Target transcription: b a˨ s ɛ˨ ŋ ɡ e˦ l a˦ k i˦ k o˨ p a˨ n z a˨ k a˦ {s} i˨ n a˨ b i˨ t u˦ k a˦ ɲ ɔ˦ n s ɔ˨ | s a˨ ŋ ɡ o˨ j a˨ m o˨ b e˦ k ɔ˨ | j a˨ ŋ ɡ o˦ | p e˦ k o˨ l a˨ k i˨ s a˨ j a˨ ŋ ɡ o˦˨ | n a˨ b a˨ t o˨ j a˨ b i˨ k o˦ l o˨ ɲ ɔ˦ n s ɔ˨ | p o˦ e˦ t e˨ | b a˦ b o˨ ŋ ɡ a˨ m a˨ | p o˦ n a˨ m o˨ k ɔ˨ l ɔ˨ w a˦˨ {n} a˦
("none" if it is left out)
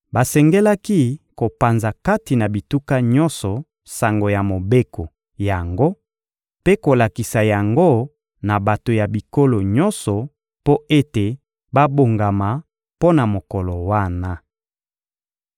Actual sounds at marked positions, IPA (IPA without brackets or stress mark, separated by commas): t, n